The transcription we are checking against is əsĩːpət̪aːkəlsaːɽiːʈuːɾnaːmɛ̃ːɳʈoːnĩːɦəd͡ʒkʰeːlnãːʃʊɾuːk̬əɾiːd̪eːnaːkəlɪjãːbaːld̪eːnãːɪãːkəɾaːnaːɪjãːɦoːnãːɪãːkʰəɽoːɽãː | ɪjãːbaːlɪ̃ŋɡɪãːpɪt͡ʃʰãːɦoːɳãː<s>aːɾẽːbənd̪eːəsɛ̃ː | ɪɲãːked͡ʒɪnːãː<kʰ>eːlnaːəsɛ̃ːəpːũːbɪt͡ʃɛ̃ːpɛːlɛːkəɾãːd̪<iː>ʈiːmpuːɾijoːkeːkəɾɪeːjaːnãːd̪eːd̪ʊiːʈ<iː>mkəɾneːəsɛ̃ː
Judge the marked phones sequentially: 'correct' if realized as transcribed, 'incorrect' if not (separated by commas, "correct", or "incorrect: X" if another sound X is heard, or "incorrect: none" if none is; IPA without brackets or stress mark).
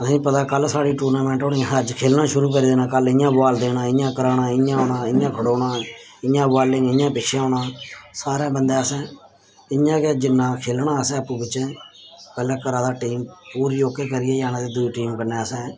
correct, correct, incorrect: aː, correct